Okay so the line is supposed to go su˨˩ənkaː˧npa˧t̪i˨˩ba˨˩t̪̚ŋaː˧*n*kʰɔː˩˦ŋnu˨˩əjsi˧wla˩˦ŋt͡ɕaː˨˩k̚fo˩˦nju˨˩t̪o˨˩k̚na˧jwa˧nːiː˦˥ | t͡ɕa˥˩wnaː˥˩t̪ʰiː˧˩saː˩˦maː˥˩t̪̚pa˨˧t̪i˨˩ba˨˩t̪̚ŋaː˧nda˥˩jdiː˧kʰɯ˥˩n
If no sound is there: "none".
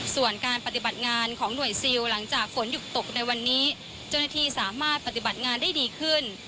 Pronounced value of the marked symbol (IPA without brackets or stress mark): n